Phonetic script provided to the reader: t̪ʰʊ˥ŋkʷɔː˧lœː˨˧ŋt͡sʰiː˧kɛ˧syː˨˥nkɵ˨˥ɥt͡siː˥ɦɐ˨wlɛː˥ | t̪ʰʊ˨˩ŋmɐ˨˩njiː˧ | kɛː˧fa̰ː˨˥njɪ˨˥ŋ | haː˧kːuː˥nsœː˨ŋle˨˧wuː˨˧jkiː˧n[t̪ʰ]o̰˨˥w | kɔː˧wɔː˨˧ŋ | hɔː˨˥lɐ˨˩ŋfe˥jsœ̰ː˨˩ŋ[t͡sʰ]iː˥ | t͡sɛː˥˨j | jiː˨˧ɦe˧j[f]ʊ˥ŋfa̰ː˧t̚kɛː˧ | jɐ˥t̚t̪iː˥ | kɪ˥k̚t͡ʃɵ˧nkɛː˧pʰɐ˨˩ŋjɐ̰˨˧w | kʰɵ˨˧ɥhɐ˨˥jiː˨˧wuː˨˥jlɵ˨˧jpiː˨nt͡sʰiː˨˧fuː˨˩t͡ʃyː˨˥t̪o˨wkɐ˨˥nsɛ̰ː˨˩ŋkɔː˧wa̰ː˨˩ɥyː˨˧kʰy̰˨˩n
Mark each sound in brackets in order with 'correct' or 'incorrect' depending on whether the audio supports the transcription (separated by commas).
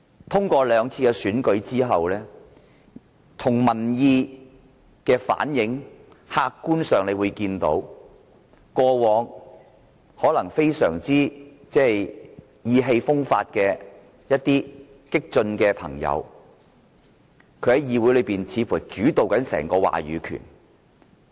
incorrect, incorrect, correct